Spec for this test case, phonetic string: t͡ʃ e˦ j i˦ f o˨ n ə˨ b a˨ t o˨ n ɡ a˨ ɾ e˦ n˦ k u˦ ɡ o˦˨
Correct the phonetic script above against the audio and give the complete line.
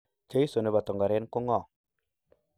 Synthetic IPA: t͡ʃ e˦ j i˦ s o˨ n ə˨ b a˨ t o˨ ŋ ɡ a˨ ɾ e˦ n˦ k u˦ ŋ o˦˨